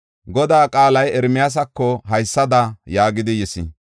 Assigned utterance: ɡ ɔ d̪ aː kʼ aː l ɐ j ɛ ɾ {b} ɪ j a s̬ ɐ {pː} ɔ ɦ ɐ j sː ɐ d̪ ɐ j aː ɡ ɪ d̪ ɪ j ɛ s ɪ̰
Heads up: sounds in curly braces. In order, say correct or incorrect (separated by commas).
incorrect, incorrect